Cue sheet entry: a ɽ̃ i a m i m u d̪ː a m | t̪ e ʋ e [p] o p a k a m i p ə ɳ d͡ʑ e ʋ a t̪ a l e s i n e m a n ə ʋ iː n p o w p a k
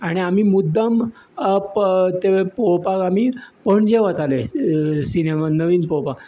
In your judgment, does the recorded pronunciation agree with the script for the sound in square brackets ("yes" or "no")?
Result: yes